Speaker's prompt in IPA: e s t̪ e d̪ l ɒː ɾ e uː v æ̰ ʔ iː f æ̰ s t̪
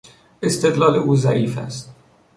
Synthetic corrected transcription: e s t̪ e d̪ l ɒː l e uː z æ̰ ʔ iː f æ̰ s t̪